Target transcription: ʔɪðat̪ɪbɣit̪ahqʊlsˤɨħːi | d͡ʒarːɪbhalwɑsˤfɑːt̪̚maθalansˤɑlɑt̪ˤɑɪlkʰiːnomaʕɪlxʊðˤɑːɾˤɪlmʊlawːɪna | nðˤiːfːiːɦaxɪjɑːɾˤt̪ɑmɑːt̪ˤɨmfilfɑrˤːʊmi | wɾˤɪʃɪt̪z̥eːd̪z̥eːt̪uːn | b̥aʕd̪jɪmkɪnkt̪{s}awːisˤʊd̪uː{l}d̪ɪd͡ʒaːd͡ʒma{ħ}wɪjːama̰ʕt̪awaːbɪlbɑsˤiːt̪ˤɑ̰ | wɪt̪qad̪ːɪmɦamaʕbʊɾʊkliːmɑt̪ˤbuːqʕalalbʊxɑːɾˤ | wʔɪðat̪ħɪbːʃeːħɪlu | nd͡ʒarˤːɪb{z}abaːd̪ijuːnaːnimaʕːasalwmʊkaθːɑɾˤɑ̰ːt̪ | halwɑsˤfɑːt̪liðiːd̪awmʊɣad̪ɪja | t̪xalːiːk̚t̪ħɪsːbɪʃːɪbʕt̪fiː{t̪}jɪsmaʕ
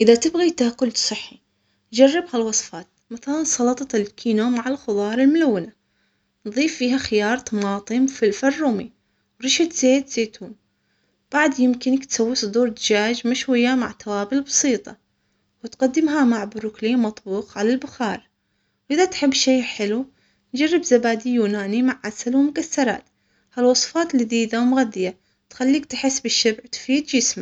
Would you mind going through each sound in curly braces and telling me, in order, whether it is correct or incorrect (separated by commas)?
correct, incorrect, incorrect, correct, incorrect